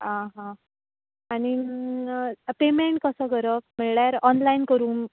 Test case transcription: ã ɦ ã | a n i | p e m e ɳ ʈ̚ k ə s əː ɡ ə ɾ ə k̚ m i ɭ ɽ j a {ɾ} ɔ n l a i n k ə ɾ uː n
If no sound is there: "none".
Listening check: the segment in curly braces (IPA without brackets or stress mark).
ɾ